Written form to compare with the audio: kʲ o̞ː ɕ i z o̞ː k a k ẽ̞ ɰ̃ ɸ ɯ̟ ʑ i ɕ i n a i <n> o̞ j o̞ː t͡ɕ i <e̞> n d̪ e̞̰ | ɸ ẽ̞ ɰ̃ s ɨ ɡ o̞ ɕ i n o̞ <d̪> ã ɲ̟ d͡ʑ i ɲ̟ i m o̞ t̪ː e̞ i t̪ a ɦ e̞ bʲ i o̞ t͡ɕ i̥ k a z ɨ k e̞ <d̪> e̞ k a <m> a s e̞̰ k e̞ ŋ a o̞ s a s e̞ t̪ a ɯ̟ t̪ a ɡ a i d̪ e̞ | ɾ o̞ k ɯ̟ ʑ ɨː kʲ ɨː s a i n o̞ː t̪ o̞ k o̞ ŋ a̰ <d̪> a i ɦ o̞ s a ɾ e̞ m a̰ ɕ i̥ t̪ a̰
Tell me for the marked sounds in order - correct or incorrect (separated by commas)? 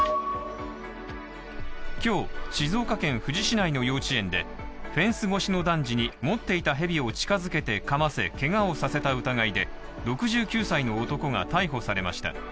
correct, incorrect, correct, incorrect, correct, incorrect